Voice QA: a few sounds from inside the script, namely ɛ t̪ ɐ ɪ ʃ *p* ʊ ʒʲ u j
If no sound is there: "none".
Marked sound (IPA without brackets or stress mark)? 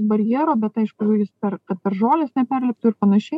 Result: k